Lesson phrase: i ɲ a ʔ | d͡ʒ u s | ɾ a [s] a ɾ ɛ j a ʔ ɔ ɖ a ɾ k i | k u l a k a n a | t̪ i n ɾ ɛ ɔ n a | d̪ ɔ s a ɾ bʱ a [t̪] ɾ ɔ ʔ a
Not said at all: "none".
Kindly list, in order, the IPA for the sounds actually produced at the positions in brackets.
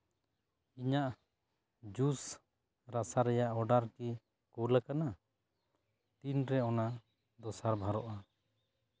s, none

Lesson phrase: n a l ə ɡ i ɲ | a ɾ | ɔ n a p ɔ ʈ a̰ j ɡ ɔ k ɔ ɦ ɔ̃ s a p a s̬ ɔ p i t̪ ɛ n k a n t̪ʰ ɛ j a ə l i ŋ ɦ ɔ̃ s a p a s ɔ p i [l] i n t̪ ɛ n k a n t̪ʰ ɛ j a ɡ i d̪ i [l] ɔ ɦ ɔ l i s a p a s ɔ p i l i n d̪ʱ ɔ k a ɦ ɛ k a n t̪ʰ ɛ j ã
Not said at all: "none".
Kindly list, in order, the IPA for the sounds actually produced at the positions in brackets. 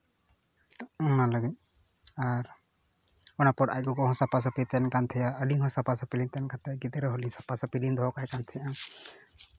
l, ɾ

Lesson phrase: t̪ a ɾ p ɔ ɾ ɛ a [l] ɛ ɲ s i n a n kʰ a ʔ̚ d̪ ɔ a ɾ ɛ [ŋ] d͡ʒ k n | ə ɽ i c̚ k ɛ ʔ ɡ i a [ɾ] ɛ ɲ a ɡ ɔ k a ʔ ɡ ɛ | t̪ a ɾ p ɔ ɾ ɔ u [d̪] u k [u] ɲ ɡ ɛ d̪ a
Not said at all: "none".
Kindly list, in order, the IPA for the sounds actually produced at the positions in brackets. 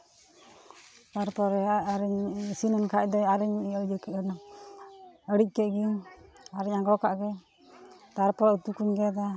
ɾ, ɲ, ɾ, t̪, u

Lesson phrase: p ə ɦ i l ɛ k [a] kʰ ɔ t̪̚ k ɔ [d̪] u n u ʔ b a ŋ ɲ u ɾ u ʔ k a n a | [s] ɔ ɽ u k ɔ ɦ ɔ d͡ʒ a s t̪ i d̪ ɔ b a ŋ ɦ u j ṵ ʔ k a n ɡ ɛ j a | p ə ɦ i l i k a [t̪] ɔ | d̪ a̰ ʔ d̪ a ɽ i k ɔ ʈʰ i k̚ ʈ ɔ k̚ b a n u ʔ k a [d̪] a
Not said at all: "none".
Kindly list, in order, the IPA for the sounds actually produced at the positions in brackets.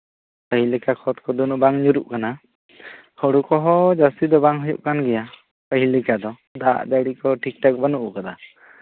a, d̪, h, d̪, d̪

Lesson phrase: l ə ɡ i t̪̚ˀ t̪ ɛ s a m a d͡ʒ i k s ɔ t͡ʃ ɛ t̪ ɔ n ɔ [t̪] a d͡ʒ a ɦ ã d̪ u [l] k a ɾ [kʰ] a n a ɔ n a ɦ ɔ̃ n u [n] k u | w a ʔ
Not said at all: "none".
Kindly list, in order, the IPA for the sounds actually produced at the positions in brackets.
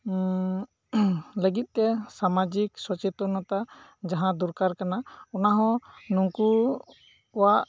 t̪, ɾ, k, ŋ

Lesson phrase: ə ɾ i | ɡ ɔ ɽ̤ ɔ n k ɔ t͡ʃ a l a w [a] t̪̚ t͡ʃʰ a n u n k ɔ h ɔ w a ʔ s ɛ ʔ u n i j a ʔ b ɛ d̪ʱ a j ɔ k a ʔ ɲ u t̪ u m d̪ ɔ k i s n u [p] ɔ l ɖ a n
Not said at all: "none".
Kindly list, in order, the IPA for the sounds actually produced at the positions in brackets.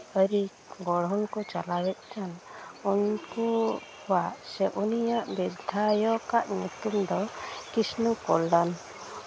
ɛ, k

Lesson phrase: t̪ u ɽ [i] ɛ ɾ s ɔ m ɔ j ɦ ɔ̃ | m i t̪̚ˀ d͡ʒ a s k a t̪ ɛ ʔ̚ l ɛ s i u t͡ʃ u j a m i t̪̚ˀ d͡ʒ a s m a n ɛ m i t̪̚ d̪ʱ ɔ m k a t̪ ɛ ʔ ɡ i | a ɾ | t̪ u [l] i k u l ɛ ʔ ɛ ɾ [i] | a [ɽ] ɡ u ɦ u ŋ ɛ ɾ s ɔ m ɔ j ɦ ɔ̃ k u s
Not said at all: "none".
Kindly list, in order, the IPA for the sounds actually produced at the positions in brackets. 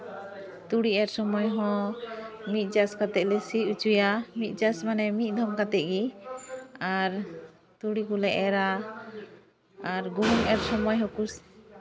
i, ɽ, a, ɾ

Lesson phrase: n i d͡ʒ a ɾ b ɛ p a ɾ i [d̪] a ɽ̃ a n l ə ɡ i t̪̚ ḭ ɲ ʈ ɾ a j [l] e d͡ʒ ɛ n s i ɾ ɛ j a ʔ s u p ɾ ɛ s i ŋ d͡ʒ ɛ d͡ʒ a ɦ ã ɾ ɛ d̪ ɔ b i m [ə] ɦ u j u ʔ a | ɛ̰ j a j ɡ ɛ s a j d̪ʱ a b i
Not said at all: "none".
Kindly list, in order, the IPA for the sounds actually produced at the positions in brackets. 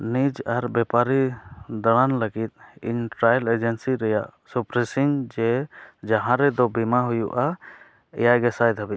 d̪, l, a

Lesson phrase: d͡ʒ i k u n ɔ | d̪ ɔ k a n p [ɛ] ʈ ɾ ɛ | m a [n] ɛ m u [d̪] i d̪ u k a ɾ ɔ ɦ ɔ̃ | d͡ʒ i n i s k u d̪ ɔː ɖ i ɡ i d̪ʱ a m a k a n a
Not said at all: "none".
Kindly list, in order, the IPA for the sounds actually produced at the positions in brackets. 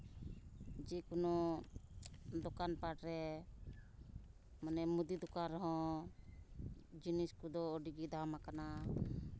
a, n, d̪

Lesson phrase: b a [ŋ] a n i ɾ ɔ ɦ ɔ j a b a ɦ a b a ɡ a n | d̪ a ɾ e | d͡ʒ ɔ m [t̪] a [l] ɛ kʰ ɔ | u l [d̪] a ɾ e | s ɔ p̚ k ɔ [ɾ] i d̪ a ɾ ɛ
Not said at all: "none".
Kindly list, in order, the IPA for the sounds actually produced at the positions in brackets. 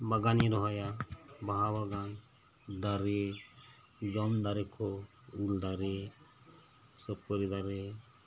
ɡ, d̪, ɾ, d̪, ɾ

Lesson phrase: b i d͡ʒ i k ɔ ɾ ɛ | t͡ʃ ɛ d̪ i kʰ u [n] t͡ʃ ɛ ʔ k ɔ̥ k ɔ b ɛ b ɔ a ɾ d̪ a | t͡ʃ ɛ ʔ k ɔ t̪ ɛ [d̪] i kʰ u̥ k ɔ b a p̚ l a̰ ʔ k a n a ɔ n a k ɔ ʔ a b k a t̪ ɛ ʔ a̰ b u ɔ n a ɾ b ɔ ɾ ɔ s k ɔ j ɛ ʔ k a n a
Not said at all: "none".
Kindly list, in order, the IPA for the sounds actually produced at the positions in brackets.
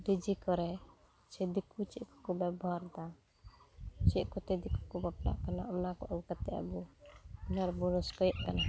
none, d̪

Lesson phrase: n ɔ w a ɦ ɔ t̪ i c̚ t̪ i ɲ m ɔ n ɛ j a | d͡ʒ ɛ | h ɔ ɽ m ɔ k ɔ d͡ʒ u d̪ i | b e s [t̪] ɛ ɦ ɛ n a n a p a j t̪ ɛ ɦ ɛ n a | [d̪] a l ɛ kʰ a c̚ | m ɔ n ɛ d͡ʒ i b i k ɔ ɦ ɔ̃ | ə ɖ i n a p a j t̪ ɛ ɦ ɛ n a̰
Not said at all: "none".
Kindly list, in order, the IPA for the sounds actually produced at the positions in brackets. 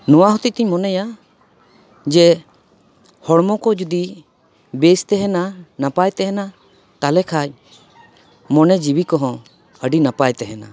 t̪, t̪

